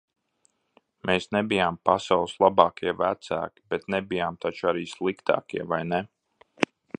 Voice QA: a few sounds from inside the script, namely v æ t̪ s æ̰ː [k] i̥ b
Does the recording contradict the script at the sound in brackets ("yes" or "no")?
no